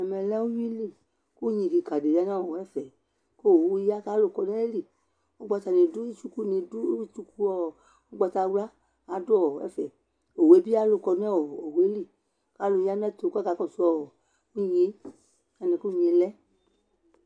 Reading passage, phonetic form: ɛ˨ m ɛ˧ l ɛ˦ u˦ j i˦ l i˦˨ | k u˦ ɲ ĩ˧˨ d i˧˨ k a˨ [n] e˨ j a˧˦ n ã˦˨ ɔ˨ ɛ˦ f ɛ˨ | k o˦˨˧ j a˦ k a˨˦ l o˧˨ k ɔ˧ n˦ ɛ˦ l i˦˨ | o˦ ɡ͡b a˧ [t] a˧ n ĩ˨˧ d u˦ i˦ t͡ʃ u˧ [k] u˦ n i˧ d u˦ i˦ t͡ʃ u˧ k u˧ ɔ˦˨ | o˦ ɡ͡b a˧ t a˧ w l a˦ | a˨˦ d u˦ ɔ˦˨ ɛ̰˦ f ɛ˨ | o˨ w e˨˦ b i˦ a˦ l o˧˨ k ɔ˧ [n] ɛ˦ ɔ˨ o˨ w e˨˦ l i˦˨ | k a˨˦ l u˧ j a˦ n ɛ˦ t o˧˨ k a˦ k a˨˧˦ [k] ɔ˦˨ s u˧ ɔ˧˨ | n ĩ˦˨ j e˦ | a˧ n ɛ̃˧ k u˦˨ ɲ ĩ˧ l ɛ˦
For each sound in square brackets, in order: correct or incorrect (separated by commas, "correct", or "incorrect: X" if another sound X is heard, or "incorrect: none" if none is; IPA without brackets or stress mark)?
incorrect: d, correct, correct, correct, correct